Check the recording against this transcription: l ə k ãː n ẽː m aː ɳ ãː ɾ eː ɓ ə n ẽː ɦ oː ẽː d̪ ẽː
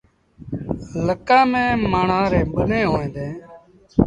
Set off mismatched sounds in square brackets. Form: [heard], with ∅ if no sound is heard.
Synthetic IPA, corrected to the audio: l ə k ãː [m] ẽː m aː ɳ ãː ɾ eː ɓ ə n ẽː ɦ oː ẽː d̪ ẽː